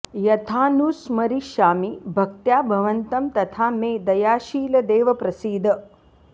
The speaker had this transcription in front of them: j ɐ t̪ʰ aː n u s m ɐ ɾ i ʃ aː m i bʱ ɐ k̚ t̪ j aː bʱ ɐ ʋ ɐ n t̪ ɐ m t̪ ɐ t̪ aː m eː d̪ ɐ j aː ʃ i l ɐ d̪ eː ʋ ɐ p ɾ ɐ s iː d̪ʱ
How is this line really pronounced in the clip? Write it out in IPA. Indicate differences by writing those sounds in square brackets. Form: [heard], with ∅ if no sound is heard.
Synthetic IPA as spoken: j ɐ t̪ʰ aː n u s m ɐ ɾ i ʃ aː m i bʱ ɐ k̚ t̪ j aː bʱ ɐ ʋ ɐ n t̪ ɐ m t̪ ɐ [t̪ʰ] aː m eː d̪ ɐ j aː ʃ [iː] l ɐ d̪ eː ʋ ɐ p ɾ ɐ s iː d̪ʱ